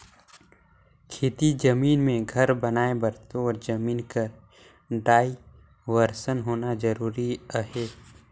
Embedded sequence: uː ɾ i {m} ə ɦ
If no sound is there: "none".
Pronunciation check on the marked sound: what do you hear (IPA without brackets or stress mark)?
none